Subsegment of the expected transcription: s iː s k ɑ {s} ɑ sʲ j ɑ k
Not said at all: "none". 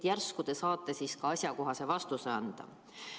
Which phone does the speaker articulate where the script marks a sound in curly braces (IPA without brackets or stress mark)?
none